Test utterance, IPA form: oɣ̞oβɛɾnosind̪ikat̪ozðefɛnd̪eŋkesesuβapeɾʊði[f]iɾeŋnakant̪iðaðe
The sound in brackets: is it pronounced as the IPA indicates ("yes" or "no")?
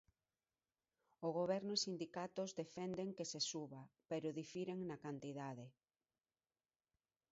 yes